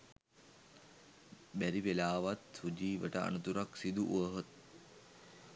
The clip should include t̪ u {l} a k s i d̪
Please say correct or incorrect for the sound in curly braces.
incorrect